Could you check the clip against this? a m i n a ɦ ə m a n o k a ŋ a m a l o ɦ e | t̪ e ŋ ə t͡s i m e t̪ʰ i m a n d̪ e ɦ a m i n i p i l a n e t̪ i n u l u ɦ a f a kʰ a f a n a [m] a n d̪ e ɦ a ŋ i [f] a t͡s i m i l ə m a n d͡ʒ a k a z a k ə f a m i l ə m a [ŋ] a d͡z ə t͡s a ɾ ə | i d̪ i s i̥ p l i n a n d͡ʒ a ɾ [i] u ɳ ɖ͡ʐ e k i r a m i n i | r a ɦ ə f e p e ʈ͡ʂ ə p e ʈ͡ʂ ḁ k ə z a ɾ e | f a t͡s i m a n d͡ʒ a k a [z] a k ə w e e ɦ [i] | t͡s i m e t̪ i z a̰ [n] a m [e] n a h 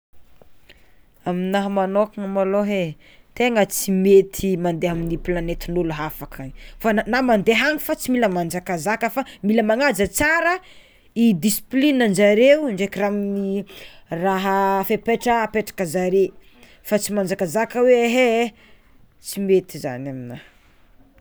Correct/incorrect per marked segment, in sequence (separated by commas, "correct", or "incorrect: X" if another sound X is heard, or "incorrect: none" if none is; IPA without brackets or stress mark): correct, correct, correct, incorrect: e, correct, incorrect: e, correct, incorrect: i